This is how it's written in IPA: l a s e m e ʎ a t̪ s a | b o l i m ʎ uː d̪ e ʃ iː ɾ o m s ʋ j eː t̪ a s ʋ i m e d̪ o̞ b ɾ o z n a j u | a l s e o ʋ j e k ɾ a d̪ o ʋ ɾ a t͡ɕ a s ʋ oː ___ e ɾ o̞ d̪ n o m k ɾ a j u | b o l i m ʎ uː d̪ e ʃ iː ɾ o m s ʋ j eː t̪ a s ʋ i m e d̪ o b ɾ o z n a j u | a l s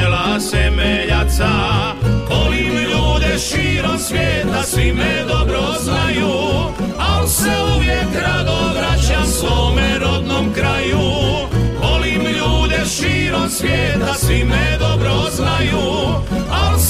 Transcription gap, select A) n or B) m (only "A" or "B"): B